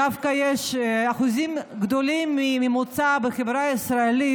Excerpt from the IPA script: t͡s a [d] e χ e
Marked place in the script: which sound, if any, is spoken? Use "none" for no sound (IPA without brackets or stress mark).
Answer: b